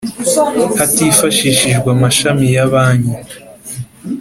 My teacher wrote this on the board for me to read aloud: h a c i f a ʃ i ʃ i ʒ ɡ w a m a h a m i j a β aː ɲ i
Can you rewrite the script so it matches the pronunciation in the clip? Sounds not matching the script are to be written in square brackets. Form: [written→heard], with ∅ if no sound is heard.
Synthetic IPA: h a [c→t] i f a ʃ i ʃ i ʒ ɡ w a m a [h→ʃ] a m i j a β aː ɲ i

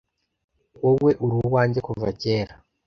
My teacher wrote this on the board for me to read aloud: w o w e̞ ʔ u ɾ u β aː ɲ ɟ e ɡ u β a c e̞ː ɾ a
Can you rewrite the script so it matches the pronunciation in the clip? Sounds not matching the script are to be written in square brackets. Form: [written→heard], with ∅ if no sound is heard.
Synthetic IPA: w o w e̞ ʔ u ɾ u [β→w] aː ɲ ɟ e [ɡ→k] u [β→v] a c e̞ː ɾ a

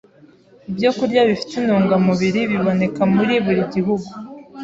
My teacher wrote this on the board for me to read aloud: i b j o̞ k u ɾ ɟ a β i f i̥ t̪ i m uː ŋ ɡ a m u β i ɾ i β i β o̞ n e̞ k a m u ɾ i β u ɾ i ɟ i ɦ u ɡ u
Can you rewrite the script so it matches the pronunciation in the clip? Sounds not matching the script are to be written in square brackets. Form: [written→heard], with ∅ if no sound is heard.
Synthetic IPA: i b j o̞ k u ɾ ɟ a β i f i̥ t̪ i [m→n] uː ŋ ɡ a m u β i ɾ i β i β o̞ n e̞ k a m u ɾ i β u ɾ i ɟ i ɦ u ɡ u

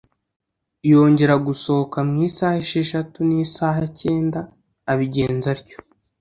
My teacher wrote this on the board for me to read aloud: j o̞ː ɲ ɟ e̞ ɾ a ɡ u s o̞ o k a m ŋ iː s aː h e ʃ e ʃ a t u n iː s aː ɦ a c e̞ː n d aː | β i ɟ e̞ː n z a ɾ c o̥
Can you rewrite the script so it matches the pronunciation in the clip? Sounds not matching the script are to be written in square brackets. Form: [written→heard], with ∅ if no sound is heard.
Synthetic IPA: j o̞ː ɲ ɟ e̞ ɾ a ɡ u s o̞ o k a m ŋ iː s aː h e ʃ e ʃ a t u n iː s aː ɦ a c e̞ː n d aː | β i ɟ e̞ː n z a ɾ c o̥

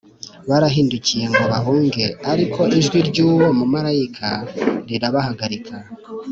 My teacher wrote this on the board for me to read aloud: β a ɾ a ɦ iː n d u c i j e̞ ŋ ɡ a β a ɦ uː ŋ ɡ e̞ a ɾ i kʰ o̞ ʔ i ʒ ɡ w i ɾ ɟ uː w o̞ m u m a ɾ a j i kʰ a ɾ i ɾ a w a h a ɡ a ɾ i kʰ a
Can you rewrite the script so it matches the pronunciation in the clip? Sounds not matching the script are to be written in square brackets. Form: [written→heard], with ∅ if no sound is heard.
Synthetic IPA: β a ɾ a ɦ iː n d u c i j e̞ ŋ ɡ a β a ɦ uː ŋ ɡ e̞ a ɾ i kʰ o̞ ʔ i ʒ ɡ w i ɾ ɟ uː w o̞ m u m a ɾ a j i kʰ a ɾ i ɾ a [w→β] a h a ɡ a ɾ i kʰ a

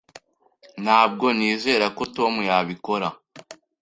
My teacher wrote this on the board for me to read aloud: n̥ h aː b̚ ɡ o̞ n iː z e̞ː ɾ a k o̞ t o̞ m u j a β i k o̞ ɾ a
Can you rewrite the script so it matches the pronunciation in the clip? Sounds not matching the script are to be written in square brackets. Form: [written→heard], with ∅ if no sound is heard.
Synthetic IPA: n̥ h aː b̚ ɡ o̞ n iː z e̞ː ɾ a k o̞ t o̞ m u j a β i k o̞ ɾ a

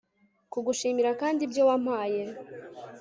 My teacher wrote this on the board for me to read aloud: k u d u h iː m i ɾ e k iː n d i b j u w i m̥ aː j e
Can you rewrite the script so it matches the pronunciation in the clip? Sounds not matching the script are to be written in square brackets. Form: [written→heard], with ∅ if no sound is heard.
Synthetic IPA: k u [d→ɡ] u [h→ʃ] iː m i ɾ [e→a] k [iː→aː] n d i b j [u→o] w [i→a] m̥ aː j e

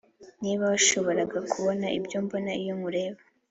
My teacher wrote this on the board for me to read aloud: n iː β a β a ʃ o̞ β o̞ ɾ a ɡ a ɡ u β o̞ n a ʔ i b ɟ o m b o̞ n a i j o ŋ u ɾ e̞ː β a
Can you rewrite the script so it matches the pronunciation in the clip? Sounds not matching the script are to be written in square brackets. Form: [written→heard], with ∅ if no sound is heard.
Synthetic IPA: n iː β a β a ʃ o̞ β o̞ ɾ a ɡ a [ɡ→k] u β o̞ n a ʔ i b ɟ o m b o̞ n a i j o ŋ u ɾ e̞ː β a

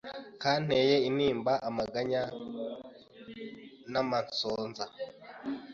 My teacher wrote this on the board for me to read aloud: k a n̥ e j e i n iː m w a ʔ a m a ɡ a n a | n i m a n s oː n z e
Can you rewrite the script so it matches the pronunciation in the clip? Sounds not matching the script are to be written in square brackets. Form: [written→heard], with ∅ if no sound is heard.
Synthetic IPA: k a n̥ e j e i n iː m [w→b] a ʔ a m a ɡ a [n→ɲ] a | n [i→a] m a n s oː n z [e→a]

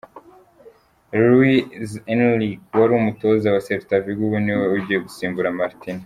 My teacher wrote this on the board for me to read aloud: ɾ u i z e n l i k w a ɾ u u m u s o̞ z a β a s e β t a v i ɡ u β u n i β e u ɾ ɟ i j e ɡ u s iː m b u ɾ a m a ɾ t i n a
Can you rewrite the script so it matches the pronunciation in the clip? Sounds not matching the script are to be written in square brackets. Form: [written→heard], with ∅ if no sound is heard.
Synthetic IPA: ɾ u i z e n l i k w a ɾ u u m u [s→t] o̞ z a [β→w] a s e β t a v i ɡ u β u n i [β→w] e u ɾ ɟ i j e ɡ u s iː m b u ɾ a m a ɾ t i n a

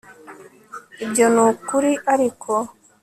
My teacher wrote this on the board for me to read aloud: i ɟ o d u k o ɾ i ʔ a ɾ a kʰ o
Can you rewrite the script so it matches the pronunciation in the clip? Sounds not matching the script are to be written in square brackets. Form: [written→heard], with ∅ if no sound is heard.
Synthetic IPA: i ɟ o [d→n] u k [o→u] ɾ i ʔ a ɾ [a→i] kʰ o

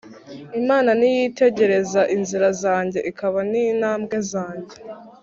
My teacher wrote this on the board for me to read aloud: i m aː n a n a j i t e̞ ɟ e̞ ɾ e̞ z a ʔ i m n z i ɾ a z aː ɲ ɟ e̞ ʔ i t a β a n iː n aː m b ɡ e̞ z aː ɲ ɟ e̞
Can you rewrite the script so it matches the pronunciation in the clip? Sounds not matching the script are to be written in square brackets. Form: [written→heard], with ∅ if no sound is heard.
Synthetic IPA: i m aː n a n [a→i] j i t e̞ ɟ e̞ ɾ e̞ z a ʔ i [m→∅] n z i ɾ a z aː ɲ ɟ e̞ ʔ i [t→k] a β a n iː n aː m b ɡ e̞ z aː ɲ ɟ e̞

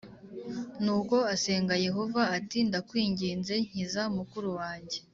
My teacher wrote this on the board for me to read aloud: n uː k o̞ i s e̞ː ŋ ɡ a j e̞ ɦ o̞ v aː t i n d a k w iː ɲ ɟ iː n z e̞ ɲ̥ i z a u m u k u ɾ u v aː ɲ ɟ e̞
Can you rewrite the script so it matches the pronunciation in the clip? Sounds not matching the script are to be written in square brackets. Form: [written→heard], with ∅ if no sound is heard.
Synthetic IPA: n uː k o̞ [i→a] s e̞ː ŋ ɡ a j e̞ ɦ o̞ v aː t i n d a k w iː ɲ ɟ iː n z e̞ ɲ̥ i z a u m u k u ɾ u [v→w] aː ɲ ɟ e̞

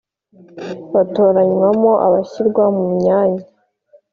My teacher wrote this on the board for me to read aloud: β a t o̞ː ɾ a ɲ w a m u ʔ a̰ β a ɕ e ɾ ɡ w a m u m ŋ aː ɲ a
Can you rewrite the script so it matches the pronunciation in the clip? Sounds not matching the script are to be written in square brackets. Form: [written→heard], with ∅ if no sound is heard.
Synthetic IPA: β a t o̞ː ɾ a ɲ w a m [u→o] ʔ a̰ β a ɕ [e→i] ɾ ɡ w a m u m [ŋ→ɲ] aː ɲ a

